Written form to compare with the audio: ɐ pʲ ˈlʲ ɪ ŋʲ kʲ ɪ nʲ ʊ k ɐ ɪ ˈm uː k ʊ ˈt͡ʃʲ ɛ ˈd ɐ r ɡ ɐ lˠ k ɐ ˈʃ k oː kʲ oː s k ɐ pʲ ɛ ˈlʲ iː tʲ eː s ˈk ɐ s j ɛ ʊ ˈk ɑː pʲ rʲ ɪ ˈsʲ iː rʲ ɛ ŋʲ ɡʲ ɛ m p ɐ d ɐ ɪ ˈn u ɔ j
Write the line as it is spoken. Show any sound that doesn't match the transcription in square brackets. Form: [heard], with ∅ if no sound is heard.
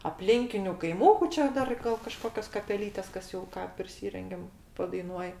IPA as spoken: ɐ pʲ ˈlʲ ɪ ŋʲ kʲ ɪ nʲ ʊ k ɐ ɪ ˈm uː k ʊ ˈt͡ʃʲ ɛ ˈd ɐ r ɡ ɐ lˠ k ɐ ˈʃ k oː kʲ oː s k ɐ pʲ ɛ ˈlʲ iː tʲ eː s ˈk ɐ s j ɛ ʊ ˈk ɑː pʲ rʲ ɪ ˈsʲ iː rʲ ɛ ŋʲ ɡʲ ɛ m p ɐ d ɐ ɪ ˈn u ɔ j